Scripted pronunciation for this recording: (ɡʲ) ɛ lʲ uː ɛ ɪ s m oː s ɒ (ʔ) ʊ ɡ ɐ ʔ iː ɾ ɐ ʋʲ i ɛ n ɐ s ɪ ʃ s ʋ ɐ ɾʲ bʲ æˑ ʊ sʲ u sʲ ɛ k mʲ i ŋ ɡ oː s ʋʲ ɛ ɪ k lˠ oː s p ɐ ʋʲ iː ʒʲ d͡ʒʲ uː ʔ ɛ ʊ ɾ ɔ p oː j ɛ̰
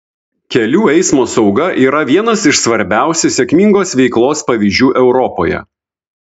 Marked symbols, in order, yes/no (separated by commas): no, no